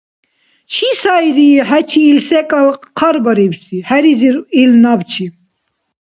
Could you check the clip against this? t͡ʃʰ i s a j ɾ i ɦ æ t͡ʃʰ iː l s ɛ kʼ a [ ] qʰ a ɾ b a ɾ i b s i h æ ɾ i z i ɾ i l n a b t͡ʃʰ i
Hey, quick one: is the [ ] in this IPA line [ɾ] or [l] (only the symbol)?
l